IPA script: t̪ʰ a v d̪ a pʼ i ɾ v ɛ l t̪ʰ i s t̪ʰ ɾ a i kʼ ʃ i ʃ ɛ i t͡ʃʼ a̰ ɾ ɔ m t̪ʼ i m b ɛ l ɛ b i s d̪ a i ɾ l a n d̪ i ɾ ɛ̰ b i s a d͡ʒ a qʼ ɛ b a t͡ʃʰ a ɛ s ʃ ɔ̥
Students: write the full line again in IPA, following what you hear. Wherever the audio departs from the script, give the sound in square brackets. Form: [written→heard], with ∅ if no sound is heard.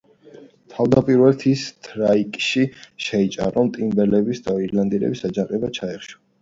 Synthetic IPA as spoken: t̪ʰ a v d̪ a pʼ i ɾ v ɛ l t̪ʰ i s t̪ʰ ɾ a i kʼ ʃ i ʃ ɛ i t͡ʃʼ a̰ ɾ ɔ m t̪ʼ i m b ɛ l ɛ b i s d̪ a i ɾ l a n d̪ i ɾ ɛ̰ b i s a d͡ʒ a qʼ ɛ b a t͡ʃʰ a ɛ [s→χ] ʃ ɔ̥

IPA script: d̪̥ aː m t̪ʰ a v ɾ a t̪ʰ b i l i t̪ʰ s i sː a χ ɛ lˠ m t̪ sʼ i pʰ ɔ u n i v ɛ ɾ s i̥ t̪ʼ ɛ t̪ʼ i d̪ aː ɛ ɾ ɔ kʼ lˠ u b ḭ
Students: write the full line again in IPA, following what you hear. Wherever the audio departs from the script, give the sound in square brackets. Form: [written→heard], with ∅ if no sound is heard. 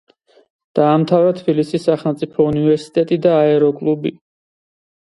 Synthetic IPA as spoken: d̪̥ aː m t̪ʰ a v ɾ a t̪ʰ b i l i [t̪ʰ→∅] s i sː a χ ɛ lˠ m t̪ sʼ i pʰ ɔ u n i v ɛ ɾ s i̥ t̪ʼ ɛ t̪ʼ i d̪ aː ɛ ɾ ɔ kʼ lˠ u b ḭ

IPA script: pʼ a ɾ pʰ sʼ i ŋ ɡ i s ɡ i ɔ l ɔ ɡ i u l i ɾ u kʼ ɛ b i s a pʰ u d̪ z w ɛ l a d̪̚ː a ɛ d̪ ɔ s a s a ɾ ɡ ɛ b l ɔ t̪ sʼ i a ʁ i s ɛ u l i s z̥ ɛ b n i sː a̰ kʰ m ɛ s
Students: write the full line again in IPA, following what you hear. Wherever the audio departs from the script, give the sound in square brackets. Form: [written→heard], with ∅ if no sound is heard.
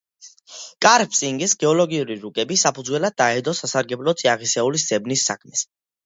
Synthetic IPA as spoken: [pʼ→kʼ] a ɾ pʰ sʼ i ŋ ɡ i s ɡ [i→ɛ] ɔ l ɔ ɡ i u [l→ɾ] i ɾ u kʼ ɛ b i s a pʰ u d̪ z w ɛ l a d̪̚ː a ɛ d̪ ɔ s a s a ɾ ɡ ɛ b l ɔ t̪ sʼ i a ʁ i s ɛ u l i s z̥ ɛ b n i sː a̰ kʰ m ɛ s

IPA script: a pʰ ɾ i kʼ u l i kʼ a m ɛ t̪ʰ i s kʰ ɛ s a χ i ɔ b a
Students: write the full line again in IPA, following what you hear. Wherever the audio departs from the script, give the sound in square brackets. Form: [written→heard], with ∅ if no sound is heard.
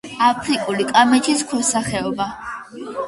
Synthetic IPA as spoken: a pʰ ɾ i kʼ u l i kʼ a m ɛ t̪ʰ i s kʰ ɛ s a χ [i→ɛ] ɔ b a

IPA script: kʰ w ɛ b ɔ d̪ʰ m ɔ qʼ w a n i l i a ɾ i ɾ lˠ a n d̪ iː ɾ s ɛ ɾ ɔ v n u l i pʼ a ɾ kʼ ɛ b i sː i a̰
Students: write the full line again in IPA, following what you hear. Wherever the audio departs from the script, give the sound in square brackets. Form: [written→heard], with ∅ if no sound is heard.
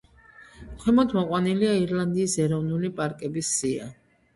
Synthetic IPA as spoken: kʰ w ɛ [b→m] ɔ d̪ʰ m ɔ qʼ w a n i l i a [ɾ→∅] i ɾ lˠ a n d̪ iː [ɾ→∅] s ɛ ɾ ɔ v n u l i pʼ a ɾ kʼ ɛ b i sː i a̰

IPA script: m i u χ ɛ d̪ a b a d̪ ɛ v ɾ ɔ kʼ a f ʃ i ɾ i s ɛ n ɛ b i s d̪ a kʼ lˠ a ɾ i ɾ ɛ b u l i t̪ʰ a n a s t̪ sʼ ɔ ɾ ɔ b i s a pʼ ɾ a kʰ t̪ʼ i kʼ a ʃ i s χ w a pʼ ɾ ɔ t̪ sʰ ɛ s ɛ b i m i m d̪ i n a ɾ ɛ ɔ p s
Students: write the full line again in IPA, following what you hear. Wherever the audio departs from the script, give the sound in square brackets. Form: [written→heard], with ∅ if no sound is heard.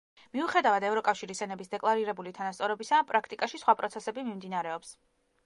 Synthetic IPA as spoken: m i u χ ɛ d̪ a [b→v] a d̪ ɛ v ɾ ɔ kʼ a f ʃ i ɾ i s ɛ n ɛ b i s d̪ [a→ɛ] kʼ lˠ a ɾ i ɾ ɛ b u l i t̪ʰ a n a s t̪ sʼ ɔ ɾ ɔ b i s a pʼ ɾ a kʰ t̪ʼ i kʼ a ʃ i s χ w a pʼ ɾ ɔ t̪ sʰ ɛ s ɛ b i m i m d̪ i n a ɾ ɛ ɔ p s

